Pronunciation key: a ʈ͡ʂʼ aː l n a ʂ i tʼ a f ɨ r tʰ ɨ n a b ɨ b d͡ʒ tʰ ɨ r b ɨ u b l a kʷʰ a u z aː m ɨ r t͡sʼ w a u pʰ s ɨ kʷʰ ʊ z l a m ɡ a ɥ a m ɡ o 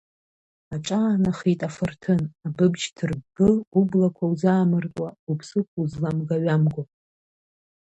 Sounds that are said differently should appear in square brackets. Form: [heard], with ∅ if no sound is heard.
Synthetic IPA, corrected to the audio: a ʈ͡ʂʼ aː [∅] n a [χ] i tʼ a f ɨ r tʰ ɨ n a b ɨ b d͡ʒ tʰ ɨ r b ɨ u b l a kʷʰ a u z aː m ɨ r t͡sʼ w a u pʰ s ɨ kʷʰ [u] z l a m ɡ a ɥ a m ɡ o